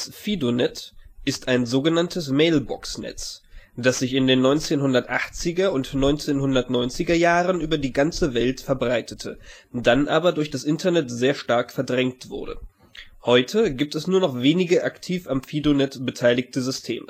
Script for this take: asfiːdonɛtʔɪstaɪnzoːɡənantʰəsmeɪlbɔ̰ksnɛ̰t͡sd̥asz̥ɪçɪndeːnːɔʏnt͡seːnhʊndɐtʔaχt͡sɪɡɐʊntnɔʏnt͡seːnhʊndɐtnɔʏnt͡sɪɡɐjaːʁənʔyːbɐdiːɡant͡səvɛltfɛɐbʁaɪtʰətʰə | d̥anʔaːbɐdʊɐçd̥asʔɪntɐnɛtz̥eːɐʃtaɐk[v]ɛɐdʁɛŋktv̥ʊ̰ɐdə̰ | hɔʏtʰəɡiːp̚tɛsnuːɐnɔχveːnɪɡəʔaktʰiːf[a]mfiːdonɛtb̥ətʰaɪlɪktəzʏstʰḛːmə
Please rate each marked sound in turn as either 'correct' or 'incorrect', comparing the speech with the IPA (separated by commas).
incorrect, correct